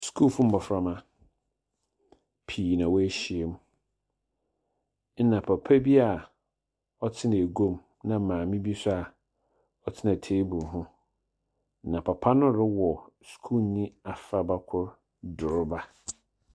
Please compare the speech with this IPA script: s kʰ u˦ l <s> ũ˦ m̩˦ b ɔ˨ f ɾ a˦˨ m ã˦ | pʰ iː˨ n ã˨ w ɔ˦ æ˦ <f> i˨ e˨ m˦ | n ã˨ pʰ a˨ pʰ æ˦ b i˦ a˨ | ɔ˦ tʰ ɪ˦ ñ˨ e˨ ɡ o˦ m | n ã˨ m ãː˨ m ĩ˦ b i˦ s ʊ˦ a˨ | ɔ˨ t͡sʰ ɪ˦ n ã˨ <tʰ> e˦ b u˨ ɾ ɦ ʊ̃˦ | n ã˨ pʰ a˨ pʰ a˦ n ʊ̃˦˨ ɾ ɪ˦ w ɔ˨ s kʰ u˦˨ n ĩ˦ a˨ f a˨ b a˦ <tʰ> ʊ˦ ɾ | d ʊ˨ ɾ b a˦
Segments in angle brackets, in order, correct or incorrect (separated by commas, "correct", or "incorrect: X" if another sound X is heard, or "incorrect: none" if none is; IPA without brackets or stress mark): incorrect: f, incorrect: ɕ, correct, incorrect: kʰ